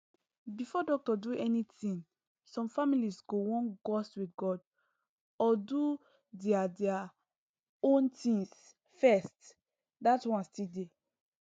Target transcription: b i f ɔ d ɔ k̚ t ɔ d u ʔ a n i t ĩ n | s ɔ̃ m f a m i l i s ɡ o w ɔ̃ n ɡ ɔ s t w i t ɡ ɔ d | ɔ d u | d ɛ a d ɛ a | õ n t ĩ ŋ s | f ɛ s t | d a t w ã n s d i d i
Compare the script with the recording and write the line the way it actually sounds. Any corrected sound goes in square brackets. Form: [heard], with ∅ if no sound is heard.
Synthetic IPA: b i f ɔ d ɔ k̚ t ɔ d u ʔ [ɛ] n i t ĩ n | s ɔ̃ m f a m i l i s ɡ o w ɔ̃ n ɡ ɔ s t w i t ɡ ɔ d | ɔ d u | d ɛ a d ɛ a | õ n t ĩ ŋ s | f ɛ s t | d a t w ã n s [t] i d [e]